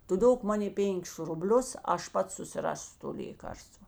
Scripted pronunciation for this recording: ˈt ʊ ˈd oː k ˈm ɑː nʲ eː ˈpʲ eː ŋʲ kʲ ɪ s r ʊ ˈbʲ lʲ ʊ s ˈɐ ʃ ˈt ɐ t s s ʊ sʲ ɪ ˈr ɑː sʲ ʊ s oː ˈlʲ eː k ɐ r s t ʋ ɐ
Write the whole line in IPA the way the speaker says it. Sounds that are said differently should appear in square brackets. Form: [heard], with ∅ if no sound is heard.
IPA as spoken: ˈt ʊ ˈd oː k ˈm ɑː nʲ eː ˈpʲ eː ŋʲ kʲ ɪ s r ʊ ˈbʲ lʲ ʊ s ˈɐ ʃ [ˈp] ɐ t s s ʊ sʲ ɪ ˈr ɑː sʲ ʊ [t] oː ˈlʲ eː k ɐ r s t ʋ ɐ